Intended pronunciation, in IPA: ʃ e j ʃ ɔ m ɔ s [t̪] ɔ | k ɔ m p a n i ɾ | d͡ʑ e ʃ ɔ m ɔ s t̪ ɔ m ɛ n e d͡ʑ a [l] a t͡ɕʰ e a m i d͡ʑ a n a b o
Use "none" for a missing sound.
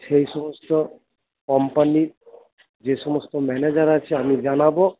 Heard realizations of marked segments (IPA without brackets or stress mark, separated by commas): t̪, ɾ